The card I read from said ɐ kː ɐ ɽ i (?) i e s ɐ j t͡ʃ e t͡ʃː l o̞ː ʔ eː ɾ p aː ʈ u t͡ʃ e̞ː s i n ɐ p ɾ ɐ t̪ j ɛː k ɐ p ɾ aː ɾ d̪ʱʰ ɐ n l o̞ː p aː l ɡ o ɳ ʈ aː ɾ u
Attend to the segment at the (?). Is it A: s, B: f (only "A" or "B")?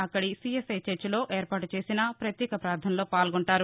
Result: A